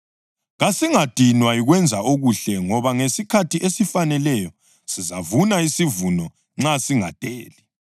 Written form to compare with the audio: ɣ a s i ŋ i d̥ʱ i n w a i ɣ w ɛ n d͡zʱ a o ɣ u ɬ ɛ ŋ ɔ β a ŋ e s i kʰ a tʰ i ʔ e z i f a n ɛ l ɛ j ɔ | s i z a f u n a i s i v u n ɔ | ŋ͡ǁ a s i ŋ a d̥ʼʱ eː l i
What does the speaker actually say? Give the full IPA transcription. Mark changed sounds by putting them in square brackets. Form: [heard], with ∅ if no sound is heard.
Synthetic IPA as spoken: ɣ a s i ŋ [a] d̥ʱ i n w a i ɣ w ɛ n d͡zʱ a o ɣ u ɬ ɛ ŋ ɔ β a ŋ e s i kʰ a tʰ i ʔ e [s] i f a n ɛ l ɛ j ɔ | s i z a [v] u n a i s i v u n ɔ | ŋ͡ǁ a s i ŋ a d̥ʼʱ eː l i